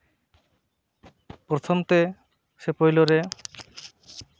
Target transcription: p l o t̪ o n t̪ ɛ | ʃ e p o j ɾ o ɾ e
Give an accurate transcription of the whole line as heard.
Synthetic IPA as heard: p ɾ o t̪ʰ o m t̪ e | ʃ e p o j l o ɾ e

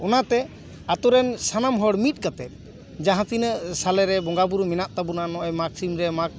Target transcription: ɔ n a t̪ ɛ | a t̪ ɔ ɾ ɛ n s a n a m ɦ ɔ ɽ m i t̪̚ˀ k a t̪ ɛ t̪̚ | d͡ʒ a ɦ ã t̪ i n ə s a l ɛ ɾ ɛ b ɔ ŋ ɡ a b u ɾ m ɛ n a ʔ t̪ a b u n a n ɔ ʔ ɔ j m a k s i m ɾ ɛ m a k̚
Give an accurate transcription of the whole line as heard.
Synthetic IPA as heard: ɔ n a t̪ ɛ | a t̪ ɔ ɾ ɛ n s a n a m ɦ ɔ ɽ m i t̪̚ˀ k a t̪ ɛ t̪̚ | d͡ʒ a ɦ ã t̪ i n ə s a l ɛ ɾ ɛ b ɔ ŋ ɡ a b u ɾ m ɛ n a ʔ t̪ a b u n a n ɔ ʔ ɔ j m a k s i m ɾ ɛ m a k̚

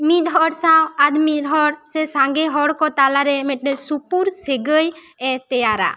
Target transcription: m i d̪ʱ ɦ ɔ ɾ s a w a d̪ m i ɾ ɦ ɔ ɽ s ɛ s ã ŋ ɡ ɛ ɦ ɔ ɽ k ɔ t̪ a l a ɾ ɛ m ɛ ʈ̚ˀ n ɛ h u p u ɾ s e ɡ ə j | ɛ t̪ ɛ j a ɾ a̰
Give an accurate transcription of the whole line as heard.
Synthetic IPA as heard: m i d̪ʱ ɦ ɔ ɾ s a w a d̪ m i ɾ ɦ ɔ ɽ s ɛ s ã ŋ ɡ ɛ ɦ ɔ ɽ k ɔ t̪ a l a ɾ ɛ m ɛ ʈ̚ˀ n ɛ s u p u ɾ s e ɡ ə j | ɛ t̪ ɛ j a ɾ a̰

